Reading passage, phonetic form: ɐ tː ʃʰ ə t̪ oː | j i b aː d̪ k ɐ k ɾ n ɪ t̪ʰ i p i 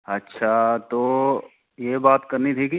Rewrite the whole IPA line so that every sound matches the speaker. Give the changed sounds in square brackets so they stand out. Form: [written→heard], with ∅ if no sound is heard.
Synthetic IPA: ɐ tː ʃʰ [ə→a] t̪ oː | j [i→e] b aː [d̪→t̪] k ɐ [k→∅] ɾ n [ɪ→i] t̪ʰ i [p→k] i